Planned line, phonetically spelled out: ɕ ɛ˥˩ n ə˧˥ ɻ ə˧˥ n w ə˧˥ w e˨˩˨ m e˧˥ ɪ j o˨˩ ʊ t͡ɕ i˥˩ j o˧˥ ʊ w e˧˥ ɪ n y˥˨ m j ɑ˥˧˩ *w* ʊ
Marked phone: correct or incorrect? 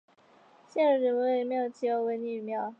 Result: incorrect: none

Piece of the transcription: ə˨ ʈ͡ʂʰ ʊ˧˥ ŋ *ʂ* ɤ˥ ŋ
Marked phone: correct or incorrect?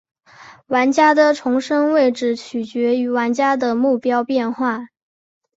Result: correct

